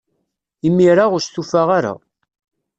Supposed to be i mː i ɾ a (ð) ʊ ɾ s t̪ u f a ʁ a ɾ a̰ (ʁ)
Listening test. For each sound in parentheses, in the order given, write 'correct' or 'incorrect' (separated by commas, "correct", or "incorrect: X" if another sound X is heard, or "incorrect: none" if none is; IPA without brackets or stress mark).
incorrect: ʁ, incorrect: none